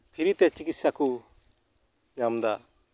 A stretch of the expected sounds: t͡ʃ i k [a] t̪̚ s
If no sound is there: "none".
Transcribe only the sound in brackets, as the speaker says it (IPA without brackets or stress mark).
i